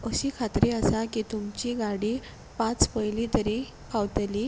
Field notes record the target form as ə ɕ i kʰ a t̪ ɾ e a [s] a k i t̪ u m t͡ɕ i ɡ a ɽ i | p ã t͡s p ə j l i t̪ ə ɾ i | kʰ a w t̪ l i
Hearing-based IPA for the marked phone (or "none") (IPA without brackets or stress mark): s